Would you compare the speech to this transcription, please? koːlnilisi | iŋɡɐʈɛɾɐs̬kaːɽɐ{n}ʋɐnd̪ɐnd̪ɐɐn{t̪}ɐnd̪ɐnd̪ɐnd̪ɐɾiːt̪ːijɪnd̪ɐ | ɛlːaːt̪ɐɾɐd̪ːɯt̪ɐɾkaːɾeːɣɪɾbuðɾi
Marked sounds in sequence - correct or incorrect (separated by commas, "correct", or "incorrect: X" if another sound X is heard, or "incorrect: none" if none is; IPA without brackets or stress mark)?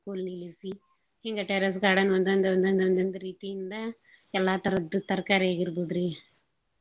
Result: correct, incorrect: d̪